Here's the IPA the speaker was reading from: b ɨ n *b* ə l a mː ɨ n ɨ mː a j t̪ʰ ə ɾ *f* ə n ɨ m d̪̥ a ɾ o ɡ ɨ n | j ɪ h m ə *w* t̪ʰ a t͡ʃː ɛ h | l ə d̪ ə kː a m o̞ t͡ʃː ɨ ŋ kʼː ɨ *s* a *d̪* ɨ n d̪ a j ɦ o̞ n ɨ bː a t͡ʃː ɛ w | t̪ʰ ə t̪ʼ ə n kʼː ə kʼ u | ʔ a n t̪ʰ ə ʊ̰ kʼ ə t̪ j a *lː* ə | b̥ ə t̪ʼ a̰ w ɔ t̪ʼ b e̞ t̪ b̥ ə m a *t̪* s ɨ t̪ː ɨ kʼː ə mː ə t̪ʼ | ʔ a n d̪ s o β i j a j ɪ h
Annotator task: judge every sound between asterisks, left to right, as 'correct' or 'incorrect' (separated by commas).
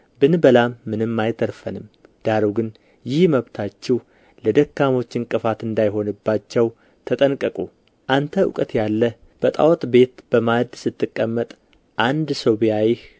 correct, correct, incorrect, incorrect, incorrect, correct, incorrect